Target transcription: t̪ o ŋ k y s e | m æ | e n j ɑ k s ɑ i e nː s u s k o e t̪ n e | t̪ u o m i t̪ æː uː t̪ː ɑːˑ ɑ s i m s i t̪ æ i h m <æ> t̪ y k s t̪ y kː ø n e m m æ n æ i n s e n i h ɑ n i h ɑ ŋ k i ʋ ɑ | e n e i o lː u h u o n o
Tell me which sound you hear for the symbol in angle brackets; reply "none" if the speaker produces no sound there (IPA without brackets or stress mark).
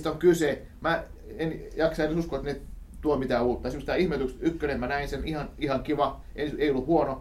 e